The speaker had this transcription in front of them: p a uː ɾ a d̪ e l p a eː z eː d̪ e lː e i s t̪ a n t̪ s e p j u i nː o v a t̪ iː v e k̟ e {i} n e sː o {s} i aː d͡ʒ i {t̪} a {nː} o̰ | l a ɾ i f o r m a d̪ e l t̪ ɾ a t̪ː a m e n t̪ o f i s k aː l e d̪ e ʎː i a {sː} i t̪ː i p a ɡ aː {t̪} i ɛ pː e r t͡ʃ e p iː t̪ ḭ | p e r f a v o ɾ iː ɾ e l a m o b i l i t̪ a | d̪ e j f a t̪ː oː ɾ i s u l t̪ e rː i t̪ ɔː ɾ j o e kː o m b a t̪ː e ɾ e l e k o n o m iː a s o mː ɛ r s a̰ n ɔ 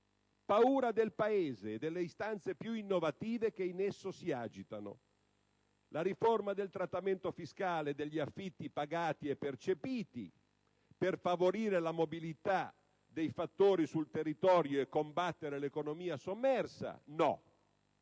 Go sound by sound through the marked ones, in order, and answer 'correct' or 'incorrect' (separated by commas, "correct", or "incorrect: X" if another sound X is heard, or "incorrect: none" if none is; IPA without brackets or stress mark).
correct, correct, correct, incorrect: n, incorrect: fː, correct